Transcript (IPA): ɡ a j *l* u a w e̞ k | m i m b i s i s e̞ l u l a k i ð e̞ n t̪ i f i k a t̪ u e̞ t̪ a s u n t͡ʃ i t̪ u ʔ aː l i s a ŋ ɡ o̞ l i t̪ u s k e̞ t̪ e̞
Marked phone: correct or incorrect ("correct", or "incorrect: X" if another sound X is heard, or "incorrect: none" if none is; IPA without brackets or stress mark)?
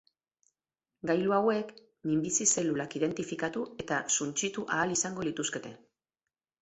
correct